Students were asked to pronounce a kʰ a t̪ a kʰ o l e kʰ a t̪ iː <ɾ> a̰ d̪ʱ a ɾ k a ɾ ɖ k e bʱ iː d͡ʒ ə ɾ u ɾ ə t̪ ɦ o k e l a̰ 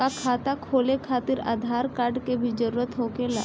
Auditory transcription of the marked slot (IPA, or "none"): ɾ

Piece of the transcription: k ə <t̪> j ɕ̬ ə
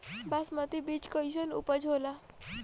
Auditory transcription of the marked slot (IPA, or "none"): none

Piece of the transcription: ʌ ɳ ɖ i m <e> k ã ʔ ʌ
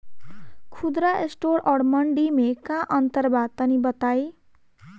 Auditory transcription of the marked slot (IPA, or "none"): e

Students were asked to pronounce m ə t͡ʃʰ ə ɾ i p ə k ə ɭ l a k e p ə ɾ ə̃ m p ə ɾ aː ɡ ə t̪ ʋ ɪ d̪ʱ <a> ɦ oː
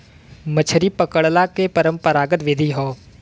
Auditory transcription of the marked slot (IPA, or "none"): i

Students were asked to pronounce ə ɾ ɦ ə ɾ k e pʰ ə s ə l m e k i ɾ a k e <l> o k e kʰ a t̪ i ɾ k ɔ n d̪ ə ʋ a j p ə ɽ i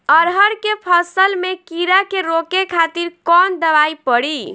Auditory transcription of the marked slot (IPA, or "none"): ɾ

